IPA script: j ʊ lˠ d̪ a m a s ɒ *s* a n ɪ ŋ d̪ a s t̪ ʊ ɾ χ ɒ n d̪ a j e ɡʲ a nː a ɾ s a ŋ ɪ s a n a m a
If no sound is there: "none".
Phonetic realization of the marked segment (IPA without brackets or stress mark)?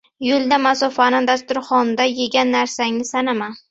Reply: f